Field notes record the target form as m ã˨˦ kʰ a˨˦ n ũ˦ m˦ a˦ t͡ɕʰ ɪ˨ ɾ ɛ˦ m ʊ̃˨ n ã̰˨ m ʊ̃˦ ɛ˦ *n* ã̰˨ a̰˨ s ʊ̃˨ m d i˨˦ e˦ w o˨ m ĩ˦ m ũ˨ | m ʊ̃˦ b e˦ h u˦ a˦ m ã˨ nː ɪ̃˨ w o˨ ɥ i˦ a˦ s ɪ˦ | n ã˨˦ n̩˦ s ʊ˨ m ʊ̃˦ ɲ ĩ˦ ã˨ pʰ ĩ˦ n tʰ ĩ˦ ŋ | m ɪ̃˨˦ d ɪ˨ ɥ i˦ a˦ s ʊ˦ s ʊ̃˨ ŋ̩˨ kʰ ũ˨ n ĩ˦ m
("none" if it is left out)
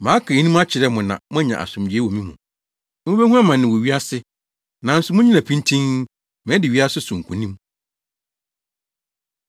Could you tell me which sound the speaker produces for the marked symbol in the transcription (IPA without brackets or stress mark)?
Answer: ɲ